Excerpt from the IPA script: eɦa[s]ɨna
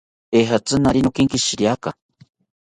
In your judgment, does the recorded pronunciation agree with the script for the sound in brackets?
no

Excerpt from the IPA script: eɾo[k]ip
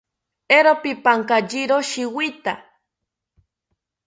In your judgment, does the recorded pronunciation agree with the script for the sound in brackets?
no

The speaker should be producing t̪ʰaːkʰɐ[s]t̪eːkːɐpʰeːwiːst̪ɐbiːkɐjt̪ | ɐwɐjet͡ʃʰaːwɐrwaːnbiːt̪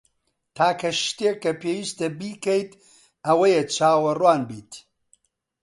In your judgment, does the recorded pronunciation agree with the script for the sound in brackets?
no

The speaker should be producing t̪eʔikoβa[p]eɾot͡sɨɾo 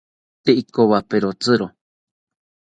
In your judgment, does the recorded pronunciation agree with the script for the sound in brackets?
yes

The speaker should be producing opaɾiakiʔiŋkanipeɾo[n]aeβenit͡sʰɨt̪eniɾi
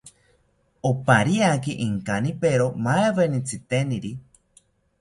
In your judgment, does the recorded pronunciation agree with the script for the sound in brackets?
no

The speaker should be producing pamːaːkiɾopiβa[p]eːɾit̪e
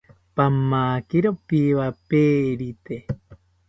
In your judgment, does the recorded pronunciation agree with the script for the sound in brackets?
yes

